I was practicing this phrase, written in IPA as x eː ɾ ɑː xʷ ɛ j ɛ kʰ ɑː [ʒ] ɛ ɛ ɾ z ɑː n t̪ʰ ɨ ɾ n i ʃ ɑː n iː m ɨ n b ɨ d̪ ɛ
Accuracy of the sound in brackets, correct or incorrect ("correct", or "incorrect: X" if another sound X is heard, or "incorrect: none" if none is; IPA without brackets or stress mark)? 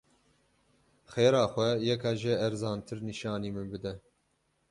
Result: correct